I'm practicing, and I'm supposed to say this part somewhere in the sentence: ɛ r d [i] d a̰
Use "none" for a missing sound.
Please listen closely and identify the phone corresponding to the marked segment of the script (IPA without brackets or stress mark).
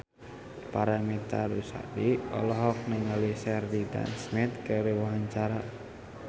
i